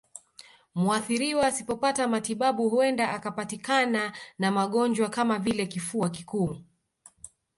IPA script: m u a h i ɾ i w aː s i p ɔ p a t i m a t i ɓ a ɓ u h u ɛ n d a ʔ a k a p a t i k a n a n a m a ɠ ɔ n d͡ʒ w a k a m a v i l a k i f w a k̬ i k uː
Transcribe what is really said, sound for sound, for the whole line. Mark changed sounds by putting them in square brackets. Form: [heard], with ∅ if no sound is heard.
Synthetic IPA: m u a [θ] i ɾ i w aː s i p ɔ p a t [a] m a t i ɓ a ɓ u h u ɛ n d a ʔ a k a p a t i k a n a n a m a ɠ ɔ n d͡ʒ w a k a m a v i l [ɛ] k i f [u] a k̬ i k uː